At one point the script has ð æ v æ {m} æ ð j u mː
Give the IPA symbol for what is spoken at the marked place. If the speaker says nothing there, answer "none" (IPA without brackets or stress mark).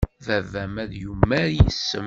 m